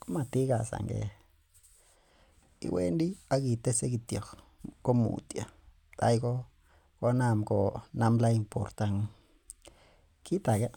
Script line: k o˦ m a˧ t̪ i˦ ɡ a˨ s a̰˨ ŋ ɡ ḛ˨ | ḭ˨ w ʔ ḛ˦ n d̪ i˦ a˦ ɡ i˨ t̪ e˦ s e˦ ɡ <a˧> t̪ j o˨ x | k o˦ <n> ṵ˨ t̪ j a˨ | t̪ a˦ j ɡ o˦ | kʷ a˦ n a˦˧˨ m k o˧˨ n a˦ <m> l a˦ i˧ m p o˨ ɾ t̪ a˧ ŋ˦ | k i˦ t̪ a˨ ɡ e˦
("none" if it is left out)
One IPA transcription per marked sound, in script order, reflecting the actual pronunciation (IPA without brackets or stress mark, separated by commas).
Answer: i˧, m, m